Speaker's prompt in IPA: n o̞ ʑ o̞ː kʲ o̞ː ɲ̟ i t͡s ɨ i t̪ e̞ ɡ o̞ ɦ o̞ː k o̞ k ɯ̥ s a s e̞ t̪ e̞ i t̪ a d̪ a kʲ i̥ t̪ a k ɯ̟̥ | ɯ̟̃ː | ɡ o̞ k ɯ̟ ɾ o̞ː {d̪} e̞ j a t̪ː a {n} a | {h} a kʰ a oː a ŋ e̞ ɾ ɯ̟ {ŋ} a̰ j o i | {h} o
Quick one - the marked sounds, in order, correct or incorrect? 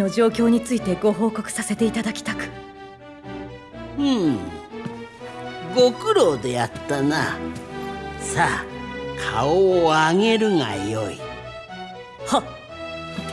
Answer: correct, correct, incorrect: s, correct, correct

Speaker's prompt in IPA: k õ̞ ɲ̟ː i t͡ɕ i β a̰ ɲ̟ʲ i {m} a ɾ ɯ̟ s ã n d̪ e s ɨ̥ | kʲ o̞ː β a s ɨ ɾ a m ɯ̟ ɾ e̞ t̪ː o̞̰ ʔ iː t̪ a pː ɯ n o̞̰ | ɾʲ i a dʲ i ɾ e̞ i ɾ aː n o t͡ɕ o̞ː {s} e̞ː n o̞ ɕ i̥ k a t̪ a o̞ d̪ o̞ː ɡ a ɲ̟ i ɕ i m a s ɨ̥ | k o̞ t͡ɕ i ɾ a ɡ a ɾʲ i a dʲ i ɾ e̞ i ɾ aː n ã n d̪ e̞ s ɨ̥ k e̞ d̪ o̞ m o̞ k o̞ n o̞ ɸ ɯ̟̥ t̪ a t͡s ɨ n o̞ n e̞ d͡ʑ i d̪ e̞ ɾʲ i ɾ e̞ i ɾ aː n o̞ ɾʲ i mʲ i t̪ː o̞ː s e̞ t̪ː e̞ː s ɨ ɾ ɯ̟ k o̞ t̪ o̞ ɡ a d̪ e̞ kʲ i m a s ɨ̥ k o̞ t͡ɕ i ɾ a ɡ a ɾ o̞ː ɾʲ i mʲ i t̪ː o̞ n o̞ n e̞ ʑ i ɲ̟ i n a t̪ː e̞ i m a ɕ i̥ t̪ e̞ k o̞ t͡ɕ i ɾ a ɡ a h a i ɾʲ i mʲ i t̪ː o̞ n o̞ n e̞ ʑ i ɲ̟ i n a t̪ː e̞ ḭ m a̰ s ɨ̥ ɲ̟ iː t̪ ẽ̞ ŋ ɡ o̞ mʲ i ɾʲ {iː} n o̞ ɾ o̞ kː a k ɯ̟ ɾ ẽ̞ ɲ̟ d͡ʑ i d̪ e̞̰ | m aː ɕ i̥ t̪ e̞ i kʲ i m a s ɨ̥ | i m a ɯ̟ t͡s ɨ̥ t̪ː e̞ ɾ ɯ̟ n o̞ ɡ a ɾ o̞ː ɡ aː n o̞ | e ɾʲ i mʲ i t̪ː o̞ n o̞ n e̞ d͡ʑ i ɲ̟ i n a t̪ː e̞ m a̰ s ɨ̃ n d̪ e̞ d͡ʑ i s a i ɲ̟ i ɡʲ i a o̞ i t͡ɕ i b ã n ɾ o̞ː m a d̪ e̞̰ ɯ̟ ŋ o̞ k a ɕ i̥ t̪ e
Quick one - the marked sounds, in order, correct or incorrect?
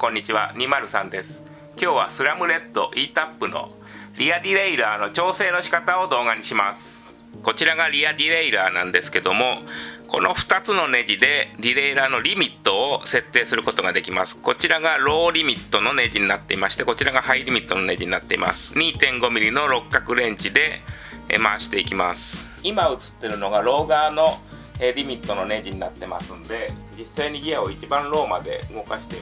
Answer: correct, correct, incorrect: i

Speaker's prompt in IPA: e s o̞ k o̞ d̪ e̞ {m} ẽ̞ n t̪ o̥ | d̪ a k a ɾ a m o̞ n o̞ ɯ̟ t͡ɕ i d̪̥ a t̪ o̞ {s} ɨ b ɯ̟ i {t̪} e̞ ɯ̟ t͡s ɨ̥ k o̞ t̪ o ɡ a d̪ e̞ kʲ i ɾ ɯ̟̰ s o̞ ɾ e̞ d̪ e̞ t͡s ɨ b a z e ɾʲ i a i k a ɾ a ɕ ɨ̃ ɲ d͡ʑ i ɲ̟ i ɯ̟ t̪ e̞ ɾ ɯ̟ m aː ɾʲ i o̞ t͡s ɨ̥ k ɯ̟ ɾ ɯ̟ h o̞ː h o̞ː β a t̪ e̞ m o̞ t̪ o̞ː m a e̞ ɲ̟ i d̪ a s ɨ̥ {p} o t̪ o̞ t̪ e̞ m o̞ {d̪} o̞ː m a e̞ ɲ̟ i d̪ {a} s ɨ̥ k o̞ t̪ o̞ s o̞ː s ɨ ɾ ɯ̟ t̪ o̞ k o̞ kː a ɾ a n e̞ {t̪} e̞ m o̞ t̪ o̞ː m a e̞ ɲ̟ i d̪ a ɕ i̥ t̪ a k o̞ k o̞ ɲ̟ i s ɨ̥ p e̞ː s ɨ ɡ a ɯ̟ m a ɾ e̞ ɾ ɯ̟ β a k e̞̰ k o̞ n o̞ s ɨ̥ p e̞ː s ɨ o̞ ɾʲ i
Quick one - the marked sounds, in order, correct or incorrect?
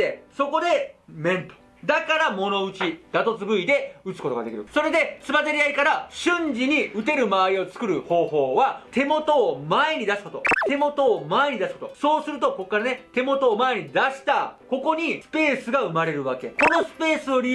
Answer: correct, incorrect: t͡s, incorrect: d̪, incorrect: k, incorrect: t̪, correct, correct

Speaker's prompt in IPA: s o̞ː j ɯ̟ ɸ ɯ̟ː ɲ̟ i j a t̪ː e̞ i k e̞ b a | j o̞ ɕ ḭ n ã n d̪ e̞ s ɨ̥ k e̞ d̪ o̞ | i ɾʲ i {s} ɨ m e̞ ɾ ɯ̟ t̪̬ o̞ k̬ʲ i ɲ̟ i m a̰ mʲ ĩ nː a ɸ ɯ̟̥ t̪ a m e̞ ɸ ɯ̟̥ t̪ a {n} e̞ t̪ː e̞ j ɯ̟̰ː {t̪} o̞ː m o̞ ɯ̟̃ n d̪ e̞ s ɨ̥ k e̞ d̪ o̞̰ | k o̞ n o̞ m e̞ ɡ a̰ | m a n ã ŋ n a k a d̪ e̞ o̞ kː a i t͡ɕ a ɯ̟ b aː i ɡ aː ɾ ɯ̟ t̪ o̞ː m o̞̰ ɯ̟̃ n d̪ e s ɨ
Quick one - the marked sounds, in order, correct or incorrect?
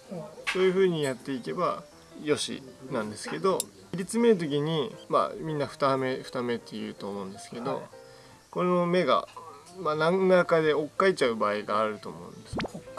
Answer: incorrect: t͡s, incorrect: m, correct

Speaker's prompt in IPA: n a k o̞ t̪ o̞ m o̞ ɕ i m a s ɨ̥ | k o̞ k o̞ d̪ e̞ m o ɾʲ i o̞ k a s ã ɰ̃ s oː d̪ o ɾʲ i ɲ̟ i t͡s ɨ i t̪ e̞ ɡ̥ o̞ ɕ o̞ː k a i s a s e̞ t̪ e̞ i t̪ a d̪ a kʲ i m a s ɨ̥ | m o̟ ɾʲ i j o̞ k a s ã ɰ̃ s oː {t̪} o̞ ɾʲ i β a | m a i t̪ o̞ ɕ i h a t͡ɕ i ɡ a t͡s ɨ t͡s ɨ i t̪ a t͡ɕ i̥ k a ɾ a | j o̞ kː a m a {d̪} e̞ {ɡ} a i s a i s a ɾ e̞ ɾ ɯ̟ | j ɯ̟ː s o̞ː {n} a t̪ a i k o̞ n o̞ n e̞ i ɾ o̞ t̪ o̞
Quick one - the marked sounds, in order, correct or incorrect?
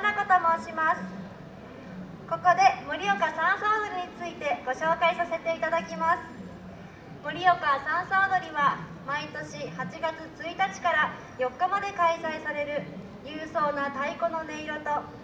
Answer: incorrect: d̪, correct, incorrect: k, correct

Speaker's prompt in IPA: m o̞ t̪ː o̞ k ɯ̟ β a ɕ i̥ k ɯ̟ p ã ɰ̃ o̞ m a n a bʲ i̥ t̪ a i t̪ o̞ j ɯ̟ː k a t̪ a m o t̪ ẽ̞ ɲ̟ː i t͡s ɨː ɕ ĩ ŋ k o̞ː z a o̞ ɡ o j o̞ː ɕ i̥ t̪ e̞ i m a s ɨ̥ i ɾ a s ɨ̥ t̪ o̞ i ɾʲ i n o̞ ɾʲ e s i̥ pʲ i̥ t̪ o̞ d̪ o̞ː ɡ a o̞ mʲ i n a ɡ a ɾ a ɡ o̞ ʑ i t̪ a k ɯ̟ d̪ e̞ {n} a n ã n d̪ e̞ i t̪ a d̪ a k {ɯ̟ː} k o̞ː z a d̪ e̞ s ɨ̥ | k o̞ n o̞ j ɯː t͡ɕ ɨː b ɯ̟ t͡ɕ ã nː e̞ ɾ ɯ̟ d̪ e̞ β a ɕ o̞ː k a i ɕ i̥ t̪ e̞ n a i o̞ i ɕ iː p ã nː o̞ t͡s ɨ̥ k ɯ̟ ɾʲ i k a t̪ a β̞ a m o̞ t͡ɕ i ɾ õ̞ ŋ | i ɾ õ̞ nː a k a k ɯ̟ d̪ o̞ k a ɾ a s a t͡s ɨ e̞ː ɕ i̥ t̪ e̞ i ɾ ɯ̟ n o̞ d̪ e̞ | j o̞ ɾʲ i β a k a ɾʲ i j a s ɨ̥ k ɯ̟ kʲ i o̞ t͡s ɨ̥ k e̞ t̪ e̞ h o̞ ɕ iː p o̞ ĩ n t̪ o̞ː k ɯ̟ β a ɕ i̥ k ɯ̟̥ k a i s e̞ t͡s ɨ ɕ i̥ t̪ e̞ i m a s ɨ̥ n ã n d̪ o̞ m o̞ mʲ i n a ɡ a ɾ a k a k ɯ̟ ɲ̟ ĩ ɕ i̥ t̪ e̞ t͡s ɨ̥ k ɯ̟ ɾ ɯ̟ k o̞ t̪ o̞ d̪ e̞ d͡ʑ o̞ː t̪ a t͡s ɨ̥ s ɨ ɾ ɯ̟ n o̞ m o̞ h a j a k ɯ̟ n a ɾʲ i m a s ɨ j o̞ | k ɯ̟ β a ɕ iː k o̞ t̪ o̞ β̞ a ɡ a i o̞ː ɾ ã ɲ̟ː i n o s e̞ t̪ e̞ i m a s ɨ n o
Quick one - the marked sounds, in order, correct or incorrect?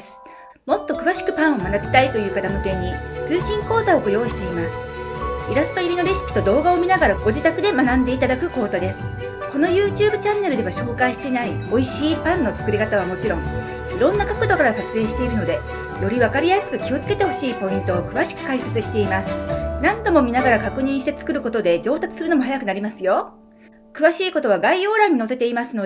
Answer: incorrect: m, incorrect: ɯ̟

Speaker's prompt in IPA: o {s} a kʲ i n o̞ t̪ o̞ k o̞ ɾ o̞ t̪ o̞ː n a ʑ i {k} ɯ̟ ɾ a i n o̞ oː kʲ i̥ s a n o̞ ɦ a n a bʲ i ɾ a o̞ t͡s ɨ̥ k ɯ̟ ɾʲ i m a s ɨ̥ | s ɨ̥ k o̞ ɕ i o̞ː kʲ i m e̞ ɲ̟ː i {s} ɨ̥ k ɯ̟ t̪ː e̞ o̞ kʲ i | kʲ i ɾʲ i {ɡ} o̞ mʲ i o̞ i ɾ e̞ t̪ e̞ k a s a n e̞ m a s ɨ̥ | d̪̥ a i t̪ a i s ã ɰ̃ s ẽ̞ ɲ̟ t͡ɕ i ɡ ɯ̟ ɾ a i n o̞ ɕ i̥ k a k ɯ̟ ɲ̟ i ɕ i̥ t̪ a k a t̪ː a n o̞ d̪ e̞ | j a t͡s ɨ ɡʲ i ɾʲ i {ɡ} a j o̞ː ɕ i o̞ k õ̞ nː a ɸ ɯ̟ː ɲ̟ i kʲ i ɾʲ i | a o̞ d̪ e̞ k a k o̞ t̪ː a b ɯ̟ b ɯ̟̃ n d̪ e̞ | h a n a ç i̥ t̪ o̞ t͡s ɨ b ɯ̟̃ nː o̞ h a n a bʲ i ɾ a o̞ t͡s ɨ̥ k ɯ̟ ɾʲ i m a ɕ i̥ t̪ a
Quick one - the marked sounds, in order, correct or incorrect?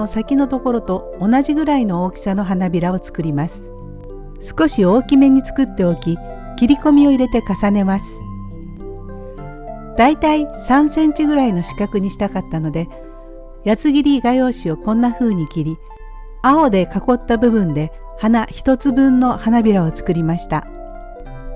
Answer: correct, incorrect: ɡ, incorrect: t͡s, incorrect: k, correct

